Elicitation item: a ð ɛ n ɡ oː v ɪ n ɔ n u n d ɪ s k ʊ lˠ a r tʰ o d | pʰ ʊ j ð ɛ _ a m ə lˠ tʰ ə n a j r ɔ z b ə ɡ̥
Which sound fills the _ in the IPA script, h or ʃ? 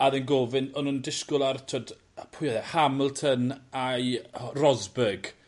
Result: h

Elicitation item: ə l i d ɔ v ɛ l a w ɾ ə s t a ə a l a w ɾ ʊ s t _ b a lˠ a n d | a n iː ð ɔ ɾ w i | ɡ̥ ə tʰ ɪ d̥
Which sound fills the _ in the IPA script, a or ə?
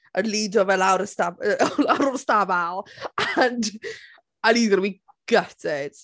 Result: a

